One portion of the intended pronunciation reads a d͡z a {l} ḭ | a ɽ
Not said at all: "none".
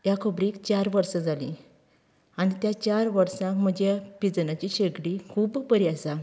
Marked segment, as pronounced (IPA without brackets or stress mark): l